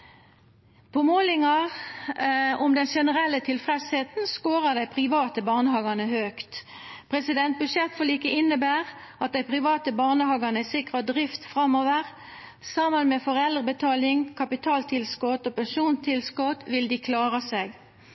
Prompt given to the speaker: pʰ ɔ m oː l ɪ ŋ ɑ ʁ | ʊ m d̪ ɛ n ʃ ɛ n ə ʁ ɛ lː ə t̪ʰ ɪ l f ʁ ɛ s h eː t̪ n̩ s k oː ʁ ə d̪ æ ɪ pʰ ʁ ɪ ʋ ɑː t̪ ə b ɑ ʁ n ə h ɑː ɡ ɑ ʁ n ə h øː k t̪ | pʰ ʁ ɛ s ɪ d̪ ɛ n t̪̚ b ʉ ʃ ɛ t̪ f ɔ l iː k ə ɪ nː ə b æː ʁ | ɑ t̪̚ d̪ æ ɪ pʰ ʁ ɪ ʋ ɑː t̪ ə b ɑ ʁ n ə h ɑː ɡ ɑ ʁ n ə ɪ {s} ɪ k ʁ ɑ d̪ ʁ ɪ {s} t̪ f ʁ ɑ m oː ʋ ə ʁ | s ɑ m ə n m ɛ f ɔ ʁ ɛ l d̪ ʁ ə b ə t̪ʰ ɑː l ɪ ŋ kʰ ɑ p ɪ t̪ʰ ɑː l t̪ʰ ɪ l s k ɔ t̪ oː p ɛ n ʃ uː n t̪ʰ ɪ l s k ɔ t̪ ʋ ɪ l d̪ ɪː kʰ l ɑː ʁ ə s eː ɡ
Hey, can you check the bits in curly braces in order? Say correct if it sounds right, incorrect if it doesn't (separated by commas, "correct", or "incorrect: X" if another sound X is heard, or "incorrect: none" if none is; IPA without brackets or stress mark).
correct, incorrect: f